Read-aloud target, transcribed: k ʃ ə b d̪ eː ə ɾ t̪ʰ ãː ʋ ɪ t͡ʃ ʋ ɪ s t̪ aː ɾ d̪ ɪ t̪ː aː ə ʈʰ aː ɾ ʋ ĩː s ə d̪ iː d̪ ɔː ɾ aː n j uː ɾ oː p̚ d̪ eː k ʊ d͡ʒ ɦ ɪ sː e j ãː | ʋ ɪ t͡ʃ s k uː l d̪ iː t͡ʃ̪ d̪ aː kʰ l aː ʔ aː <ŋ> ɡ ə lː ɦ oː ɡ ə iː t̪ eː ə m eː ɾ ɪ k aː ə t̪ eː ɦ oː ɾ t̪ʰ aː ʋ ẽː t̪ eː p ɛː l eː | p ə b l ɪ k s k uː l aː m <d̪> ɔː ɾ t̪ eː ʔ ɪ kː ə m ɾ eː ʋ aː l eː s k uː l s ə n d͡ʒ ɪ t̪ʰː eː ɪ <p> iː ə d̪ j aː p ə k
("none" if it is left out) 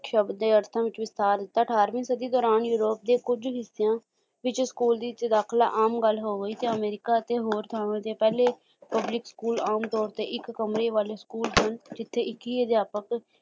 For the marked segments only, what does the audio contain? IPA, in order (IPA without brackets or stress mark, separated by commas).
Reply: m, t̪, k